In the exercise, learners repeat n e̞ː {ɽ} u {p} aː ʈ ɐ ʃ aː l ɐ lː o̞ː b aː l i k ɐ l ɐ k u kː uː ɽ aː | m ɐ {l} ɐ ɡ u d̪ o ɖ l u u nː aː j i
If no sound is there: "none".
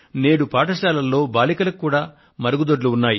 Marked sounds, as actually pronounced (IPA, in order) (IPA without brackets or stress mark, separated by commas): ɽ, p, ɾ